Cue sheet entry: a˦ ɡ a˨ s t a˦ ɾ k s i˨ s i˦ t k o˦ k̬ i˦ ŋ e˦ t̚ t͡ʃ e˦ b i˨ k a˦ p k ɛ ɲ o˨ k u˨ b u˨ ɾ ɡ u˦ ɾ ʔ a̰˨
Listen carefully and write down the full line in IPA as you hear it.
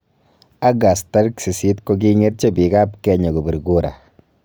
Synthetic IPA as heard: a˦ ɡ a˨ s t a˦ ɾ k s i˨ s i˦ t k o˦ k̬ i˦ ŋ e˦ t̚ t͡ʃ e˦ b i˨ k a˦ p k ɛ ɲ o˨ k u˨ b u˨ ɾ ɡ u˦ ɾ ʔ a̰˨